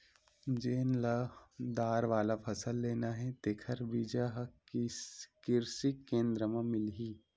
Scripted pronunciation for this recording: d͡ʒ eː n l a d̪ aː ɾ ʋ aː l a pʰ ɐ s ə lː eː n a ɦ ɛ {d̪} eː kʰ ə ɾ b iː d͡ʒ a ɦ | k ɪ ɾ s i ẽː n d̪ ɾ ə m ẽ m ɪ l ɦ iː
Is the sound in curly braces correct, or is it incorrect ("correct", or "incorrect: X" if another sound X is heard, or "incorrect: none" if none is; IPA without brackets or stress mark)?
incorrect: t̪